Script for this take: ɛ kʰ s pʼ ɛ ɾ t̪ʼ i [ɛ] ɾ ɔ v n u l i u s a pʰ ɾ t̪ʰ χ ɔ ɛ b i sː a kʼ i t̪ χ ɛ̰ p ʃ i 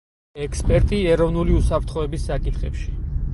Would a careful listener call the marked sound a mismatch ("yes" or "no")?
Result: no